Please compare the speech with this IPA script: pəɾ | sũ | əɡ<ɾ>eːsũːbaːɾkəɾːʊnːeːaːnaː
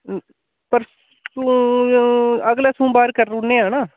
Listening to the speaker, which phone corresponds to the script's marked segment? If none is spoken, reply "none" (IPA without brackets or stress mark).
l